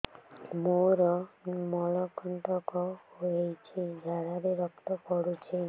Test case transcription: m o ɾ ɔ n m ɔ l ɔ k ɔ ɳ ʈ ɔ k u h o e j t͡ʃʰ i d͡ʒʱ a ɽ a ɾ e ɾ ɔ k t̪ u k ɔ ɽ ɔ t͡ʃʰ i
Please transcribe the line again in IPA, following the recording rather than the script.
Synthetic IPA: m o ɾ ɔ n m ɔ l ɔ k ɔ ɳ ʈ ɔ k ɔ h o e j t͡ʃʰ i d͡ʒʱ a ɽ a ɾ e ɾ ɔ k t̪ ɔ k ɔ ɽ u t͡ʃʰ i